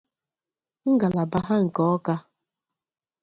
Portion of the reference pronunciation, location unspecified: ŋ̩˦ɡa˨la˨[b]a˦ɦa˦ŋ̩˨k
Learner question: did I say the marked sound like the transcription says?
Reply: yes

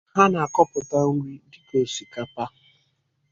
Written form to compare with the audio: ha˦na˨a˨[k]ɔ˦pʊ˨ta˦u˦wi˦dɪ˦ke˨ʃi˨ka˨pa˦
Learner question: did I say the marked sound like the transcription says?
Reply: yes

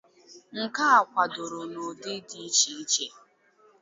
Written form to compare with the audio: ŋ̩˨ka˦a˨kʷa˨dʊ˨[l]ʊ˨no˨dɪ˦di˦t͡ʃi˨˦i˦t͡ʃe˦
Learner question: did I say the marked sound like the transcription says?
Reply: no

